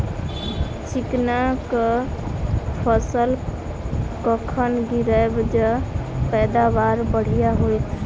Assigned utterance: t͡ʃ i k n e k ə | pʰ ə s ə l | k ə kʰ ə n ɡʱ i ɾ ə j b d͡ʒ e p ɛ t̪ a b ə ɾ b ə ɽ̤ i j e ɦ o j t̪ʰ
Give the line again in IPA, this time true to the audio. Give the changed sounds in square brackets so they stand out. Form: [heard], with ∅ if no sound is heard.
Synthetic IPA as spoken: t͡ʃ i k n [a] k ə | pʰ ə s ə l | k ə kʰ ə n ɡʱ i ɾ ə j b d͡ʒ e p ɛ [d̪] a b [a] ɾ b ə ɽ̤ i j [a] ɦ o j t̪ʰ